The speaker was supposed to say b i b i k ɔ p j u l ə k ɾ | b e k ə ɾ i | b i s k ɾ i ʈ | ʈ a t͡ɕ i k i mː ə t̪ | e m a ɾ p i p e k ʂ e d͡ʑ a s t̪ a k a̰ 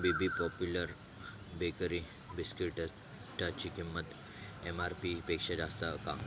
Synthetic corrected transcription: b i b i p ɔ p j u l ə ɾ | b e k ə ɾ i | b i s k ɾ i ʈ | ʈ a t͡ɕ i k i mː ə t̪ | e m a ɾ p i p e k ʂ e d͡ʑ a s t̪ a k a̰